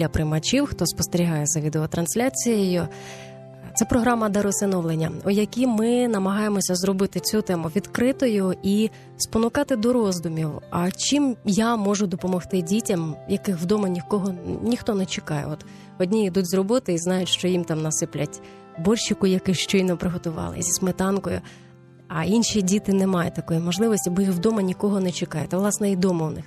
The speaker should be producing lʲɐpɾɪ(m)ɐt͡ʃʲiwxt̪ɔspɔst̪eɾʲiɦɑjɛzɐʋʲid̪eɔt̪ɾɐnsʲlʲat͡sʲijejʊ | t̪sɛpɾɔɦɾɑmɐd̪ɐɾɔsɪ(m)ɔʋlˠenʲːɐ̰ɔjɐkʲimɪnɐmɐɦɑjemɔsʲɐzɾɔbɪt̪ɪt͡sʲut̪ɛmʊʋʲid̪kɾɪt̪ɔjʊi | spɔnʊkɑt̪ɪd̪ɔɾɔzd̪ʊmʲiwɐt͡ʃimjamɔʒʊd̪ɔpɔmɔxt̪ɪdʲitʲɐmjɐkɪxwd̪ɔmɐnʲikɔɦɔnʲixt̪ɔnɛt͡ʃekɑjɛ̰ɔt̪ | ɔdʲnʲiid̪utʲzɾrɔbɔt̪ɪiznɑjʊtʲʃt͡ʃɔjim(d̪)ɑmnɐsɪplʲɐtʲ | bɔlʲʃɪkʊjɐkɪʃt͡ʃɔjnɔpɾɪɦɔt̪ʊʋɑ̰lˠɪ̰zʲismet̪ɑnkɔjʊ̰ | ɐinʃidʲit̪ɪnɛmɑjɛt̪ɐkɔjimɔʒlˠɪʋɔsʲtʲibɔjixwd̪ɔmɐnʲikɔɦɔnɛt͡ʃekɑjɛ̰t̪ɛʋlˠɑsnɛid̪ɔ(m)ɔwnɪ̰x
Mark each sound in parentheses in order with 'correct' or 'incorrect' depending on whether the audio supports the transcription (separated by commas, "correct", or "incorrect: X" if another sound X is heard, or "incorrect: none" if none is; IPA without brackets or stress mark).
correct, incorrect: n, incorrect: t̪, correct